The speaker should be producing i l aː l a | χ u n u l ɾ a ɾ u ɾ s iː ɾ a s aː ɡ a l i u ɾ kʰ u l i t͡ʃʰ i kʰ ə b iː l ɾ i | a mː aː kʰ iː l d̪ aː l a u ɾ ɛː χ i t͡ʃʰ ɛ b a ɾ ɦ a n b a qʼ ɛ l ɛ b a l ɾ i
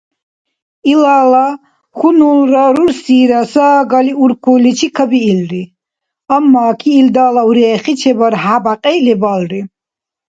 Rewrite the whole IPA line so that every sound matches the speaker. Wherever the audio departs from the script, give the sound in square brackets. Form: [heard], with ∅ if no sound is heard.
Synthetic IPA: i l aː l a | χ u n u l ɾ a ɾ u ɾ s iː ɾ a s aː ɡ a l i u ɾ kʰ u l i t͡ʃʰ i kʰ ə b iː l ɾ i | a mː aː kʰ iː l d̪ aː l a u ɾ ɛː χ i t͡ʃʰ ɛ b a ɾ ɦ a [∅] b a qʼ ɛ l ɛ b a l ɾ i